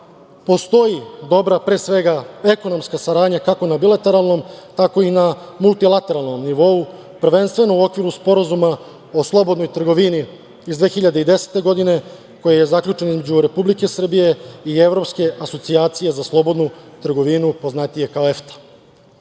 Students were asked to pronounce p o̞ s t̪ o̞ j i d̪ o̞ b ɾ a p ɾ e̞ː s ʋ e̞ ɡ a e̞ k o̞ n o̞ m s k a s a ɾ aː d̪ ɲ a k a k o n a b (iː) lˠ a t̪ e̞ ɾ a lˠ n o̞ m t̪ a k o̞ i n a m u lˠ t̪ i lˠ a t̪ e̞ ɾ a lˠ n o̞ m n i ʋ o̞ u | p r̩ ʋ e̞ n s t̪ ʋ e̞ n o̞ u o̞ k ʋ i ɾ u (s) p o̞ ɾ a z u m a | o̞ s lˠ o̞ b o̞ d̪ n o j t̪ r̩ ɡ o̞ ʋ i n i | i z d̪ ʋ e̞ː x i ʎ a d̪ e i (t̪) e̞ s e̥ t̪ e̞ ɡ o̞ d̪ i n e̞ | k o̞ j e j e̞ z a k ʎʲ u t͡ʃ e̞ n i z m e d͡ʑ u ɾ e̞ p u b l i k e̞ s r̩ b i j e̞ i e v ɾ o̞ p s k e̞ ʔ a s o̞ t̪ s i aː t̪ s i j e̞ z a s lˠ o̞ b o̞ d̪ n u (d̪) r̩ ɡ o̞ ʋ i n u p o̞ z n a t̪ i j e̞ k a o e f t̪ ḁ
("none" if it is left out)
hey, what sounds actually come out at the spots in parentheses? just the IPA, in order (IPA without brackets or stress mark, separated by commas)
i, s, d̪, t̪